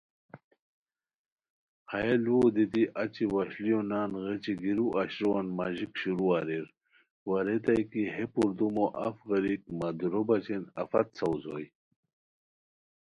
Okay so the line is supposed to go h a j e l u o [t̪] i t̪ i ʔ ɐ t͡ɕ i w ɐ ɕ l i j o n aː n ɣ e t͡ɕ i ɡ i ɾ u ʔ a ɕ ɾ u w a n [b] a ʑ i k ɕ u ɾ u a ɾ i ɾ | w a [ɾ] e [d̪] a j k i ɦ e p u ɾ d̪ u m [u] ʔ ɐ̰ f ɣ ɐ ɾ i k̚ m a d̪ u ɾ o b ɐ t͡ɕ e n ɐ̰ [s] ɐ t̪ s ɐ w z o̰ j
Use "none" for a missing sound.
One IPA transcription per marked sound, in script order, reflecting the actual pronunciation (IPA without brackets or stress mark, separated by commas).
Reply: d̪, m, ɾ, t̪, o, f